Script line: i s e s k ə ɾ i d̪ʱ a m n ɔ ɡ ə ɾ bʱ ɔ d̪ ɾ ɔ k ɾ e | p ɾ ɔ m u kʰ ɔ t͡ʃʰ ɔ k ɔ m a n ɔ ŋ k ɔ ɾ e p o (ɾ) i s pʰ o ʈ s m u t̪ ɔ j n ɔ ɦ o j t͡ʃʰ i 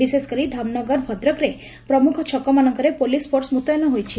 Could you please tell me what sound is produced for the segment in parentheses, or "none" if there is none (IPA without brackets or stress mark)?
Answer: l